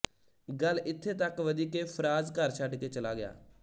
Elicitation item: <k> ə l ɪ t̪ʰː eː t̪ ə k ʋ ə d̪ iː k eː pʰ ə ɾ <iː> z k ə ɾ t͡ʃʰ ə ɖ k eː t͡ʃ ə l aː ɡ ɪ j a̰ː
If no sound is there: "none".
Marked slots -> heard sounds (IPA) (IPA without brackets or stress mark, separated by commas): ɡ, aː